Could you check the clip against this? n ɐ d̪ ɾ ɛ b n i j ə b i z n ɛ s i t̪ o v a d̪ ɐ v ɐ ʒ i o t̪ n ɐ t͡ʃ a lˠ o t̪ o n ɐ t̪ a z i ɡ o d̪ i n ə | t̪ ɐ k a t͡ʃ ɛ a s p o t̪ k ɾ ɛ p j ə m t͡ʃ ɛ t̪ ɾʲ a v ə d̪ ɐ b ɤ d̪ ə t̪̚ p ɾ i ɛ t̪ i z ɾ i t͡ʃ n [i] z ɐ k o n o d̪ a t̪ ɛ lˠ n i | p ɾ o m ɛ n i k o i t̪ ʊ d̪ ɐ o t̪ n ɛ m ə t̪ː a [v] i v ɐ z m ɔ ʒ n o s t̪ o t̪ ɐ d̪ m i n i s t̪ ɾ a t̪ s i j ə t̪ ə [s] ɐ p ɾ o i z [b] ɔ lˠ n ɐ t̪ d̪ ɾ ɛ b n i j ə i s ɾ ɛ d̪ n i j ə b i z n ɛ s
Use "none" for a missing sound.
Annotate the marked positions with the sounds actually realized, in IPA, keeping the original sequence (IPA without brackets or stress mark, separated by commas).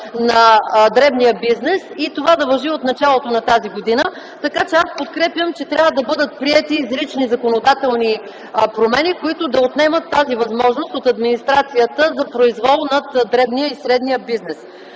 i, z, z, v